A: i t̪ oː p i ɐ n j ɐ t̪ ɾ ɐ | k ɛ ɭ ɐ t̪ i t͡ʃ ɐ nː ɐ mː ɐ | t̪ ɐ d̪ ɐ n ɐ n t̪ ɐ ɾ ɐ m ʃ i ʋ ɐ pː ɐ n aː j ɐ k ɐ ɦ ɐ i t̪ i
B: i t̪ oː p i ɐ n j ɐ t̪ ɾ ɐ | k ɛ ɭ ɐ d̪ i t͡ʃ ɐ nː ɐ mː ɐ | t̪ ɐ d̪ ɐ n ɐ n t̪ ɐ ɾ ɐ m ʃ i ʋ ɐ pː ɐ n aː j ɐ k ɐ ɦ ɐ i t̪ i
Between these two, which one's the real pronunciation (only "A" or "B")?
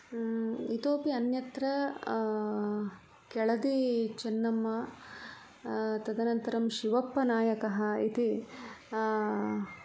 B